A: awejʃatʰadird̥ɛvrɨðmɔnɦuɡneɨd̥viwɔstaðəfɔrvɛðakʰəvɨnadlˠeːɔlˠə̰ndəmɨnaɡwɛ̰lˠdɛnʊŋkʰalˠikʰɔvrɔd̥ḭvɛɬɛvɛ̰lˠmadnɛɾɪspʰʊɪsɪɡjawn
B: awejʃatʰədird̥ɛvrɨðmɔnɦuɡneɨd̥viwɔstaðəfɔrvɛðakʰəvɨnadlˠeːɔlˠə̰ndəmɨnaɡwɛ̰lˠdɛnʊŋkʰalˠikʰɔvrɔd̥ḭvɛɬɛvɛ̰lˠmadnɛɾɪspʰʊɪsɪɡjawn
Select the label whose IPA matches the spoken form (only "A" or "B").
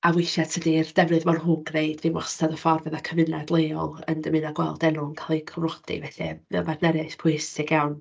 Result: B